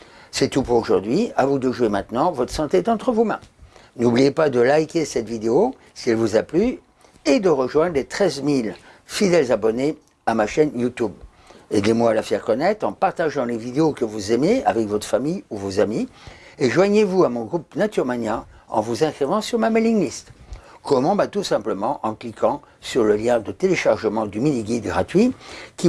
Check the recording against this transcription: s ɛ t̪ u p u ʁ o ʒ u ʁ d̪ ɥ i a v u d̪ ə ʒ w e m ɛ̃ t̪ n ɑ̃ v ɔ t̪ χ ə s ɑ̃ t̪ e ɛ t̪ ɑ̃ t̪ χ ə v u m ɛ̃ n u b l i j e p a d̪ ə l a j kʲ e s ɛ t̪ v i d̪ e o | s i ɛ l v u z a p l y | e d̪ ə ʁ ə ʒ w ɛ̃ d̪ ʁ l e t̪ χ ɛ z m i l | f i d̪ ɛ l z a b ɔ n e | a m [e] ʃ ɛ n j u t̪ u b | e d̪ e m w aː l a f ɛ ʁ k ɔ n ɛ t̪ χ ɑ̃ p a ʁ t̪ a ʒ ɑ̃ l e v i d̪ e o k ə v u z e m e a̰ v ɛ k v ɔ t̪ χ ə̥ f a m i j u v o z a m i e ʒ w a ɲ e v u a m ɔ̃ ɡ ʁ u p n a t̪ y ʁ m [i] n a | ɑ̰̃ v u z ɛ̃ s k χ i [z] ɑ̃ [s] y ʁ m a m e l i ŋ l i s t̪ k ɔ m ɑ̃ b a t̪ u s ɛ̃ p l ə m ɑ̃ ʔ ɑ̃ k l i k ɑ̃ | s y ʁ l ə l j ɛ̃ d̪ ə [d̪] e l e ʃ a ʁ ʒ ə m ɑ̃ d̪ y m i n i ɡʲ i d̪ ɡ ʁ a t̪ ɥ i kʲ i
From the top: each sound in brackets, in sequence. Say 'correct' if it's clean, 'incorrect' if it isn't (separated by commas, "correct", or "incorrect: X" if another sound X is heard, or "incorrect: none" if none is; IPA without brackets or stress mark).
incorrect: a, incorrect: a, incorrect: v, correct, incorrect: t̪